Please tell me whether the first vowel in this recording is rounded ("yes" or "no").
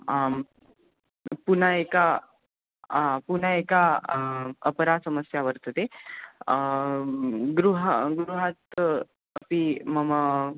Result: yes